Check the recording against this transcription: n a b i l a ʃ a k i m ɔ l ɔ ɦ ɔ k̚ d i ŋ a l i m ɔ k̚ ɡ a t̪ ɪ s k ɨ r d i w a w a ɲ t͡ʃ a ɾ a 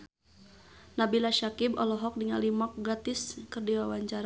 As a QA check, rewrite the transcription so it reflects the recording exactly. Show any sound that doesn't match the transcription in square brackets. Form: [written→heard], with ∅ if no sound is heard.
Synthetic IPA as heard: n a b i l a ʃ a k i [m→b] ɔ l ɔ ɦ ɔ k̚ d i ŋ a l i m ɔ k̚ ɡ a t̪ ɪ s k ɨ r d i w a w a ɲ t͡ʃ a ɾ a